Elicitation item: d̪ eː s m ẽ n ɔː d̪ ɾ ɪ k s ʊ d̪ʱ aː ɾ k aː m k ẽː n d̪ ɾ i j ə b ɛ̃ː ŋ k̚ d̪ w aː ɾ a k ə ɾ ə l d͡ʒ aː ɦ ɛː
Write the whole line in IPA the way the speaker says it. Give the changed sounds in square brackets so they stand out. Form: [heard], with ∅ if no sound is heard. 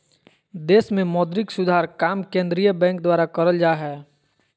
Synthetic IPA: d̪ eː s m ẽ [m] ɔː d̪ ɾ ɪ k s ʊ d̪ʱ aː ɾ k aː m k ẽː n d̪ ɾ i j ə b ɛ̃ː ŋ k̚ d̪ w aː ɾ a k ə ɾ ə l d͡ʒ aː ɦ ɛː